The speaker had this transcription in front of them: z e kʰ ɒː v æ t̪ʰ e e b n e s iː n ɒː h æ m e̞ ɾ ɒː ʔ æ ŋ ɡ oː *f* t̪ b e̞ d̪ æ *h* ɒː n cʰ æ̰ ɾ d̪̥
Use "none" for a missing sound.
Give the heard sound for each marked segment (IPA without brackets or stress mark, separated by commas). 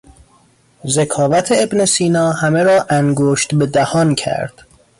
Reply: ʃ, h